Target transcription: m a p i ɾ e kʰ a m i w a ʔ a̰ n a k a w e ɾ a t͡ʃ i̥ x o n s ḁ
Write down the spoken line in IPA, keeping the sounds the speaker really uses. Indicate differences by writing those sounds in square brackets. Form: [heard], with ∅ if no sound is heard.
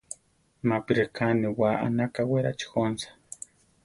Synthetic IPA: m a p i ɾ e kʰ a [n] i w a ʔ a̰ n a k a w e ɾ a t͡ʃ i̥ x o n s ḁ